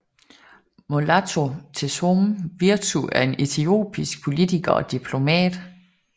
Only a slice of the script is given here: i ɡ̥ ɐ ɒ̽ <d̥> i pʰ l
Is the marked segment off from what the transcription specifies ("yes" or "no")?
no